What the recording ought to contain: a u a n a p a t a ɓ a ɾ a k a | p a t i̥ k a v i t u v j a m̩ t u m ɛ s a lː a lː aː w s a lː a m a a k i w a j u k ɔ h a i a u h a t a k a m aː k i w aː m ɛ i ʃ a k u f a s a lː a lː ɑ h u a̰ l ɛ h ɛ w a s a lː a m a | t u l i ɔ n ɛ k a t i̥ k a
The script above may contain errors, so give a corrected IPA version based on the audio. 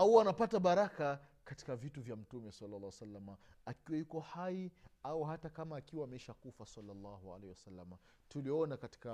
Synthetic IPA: a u a n a p a t a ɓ a ɾ a k a | k a t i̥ k a v i t u v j a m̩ t u m ɛ s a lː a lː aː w s a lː a m a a k i w a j u k ɔ h a i a u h a t a k a m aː k i w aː m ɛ i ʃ a k u f a s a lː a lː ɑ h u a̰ l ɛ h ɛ w a s a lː a m a | t u l i ɔ n a k a t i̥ k a